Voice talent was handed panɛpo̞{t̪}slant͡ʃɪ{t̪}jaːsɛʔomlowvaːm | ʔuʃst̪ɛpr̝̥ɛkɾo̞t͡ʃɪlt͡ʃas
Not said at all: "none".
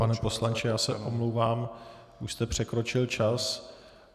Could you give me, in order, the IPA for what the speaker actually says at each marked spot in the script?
none, none

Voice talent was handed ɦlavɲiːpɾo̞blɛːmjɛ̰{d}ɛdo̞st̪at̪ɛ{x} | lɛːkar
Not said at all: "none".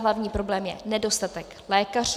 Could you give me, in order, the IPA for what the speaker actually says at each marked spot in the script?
n, k

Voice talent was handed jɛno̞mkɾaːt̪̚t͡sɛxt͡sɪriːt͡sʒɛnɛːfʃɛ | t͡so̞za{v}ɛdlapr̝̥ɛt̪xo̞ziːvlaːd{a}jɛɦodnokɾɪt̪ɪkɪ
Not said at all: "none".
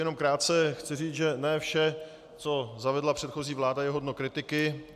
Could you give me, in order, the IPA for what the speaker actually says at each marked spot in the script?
v, a

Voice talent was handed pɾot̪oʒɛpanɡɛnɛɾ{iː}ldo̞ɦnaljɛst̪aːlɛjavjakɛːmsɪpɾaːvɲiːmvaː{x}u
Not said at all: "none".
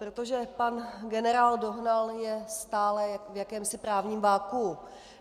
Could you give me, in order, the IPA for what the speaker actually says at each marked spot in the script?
aː, k

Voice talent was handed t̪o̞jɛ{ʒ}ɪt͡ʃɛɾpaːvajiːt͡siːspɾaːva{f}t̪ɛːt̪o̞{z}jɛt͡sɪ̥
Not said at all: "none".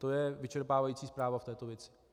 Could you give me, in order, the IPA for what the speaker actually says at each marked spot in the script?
v, f, v

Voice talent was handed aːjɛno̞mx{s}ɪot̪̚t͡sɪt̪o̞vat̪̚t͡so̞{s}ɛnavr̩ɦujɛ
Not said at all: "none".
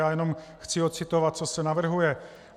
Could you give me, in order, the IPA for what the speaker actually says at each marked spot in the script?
t͡s, s

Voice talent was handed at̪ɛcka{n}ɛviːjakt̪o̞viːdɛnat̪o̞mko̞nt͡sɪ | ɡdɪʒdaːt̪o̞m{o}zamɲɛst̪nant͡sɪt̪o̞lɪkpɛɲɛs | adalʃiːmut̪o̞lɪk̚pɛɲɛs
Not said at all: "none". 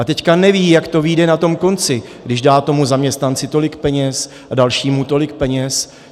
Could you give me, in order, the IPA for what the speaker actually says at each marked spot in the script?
n, u

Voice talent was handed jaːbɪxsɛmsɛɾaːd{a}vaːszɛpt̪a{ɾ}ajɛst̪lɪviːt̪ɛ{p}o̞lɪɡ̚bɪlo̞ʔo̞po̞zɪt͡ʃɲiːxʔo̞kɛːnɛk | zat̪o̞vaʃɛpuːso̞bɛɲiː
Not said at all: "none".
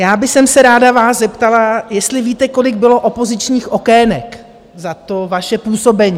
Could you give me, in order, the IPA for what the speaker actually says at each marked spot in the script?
a, l, k

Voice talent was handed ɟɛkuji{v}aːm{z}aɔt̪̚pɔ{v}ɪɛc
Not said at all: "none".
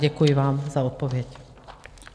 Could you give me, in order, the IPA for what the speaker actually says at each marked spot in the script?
ʋ, z, ʋ

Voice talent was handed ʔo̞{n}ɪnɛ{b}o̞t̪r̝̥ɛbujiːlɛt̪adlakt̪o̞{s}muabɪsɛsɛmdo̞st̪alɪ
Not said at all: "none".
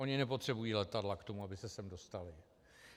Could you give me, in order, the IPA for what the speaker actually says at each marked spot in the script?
ɲ, p, none

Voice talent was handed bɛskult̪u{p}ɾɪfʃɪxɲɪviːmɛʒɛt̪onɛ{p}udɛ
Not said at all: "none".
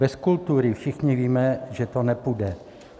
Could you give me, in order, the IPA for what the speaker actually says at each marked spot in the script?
none, p

